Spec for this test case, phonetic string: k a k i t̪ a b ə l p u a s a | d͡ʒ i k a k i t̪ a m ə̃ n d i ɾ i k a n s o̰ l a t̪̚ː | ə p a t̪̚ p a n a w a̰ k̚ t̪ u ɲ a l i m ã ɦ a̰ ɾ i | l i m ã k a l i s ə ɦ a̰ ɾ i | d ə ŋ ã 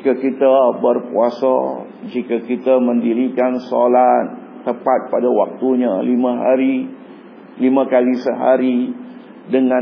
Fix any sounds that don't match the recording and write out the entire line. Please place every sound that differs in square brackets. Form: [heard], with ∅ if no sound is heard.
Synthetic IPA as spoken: k a k i t̪ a b ə [r] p u a s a | d͡ʒ i k a k i t̪ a m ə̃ n d i ɾ i k a n s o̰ l a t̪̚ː | ə p a t̪̚ p a [d] a w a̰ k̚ t̪ u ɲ a l i m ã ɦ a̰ ɾ i | l i m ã k a l i s ə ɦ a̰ ɾ i | d ə ŋ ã